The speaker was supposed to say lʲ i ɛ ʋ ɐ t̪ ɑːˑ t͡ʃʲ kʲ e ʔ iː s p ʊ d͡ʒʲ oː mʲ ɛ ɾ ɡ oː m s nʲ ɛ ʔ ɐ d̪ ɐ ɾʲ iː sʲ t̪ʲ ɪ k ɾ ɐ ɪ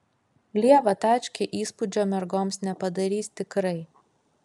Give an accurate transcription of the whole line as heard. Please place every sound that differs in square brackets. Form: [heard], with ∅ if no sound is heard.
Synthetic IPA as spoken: lʲ i ɛ ʋ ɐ t̪ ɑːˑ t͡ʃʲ kʲ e ʔ iː s p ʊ d͡ʒʲ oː mʲ ɛ ɾ ɡ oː m s nʲ ɛ [p] ɐ d̪ ɐ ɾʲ iː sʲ t̪ʲ ɪ k ɾ ɐ ɪ